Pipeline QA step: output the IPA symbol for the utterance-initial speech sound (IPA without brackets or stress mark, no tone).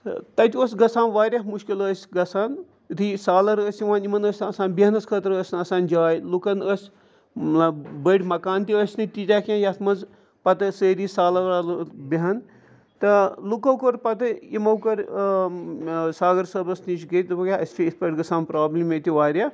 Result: t̪